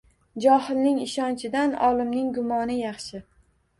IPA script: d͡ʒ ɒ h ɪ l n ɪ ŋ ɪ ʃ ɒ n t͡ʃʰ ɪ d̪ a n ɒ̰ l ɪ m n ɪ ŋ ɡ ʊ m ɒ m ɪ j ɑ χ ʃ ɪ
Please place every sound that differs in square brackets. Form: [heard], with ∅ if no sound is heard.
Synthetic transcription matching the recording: d͡ʒ ɒ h ɪ l n ɪ ŋ ɪ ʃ ɒ n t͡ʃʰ ɪ d̪ a n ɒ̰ l ɪ m n ɪ ŋ ɡ ʊ m ɒ [n] ɪ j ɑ χ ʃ ɪ